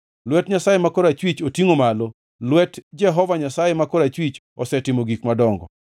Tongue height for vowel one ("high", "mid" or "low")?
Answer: mid